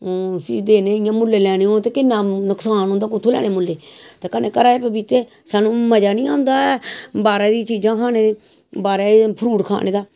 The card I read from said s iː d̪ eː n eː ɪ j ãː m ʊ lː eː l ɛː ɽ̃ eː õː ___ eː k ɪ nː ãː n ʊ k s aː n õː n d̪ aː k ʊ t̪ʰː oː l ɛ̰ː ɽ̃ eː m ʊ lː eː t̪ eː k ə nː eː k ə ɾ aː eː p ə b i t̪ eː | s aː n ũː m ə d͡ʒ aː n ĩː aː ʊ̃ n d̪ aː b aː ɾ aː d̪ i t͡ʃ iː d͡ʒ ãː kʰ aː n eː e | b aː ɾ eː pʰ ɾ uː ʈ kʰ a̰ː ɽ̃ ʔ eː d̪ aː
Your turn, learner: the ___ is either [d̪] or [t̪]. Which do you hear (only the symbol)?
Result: t̪